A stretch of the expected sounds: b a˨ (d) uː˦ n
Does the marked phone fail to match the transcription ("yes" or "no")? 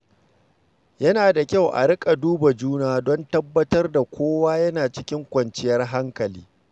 yes